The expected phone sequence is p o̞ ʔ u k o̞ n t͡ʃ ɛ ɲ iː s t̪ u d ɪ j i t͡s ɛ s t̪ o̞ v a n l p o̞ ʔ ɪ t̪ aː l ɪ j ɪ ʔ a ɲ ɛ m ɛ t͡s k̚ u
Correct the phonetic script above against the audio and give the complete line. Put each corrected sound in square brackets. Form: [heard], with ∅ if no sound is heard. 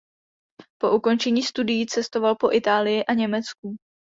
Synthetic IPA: p o̞ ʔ u k o̞ n t͡ʃ ɛ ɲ iː s t̪ u d ɪ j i t͡s ɛ s t̪ o̞ v a [∅] l p o̞ ʔ ɪ t̪ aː l ɪ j ɪ ʔ a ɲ ɛ m ɛ t͡s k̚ u